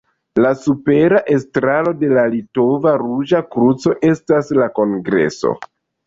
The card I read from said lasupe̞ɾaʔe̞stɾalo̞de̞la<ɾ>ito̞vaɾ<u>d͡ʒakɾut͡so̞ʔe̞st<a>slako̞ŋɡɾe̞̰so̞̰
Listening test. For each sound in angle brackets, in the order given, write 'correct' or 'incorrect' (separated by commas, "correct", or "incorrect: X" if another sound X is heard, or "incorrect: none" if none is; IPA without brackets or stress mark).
incorrect: l, correct, correct